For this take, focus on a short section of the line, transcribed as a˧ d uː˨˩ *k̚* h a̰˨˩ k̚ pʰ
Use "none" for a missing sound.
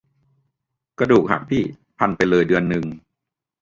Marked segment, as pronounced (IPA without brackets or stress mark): k̚